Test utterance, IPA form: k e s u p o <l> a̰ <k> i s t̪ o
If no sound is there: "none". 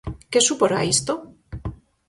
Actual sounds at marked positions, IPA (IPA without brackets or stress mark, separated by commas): ɾ, none